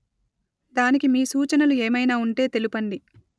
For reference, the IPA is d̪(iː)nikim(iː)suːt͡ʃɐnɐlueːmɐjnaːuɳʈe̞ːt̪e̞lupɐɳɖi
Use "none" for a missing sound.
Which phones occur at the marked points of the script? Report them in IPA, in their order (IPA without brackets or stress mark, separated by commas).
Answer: aː, iː